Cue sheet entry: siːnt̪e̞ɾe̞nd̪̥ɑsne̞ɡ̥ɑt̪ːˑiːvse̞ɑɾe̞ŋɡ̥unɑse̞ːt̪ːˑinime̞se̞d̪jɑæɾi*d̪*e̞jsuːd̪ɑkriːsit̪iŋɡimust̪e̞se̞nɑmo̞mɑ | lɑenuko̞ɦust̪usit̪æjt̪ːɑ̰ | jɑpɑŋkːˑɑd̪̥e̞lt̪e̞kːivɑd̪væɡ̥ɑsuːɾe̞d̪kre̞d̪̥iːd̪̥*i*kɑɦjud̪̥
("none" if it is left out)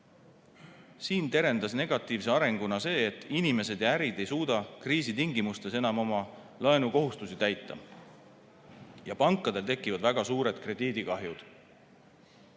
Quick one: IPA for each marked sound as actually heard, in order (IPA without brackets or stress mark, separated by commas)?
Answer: d̪, i